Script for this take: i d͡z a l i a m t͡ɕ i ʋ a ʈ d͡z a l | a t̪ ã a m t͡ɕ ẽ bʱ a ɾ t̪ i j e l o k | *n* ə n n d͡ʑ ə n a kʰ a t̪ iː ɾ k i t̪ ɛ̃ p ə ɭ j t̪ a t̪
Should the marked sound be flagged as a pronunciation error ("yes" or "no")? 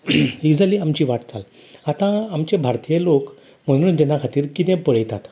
yes